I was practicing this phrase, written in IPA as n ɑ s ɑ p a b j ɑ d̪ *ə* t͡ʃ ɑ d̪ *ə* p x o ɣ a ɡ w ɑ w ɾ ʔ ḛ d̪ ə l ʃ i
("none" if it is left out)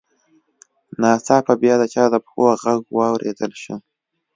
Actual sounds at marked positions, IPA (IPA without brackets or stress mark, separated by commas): ə, ə